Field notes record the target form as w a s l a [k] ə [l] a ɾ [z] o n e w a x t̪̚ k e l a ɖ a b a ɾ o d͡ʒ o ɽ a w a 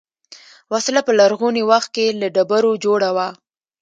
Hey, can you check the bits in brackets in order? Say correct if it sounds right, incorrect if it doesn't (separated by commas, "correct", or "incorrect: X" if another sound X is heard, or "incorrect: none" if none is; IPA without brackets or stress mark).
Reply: incorrect: p, correct, incorrect: ɣ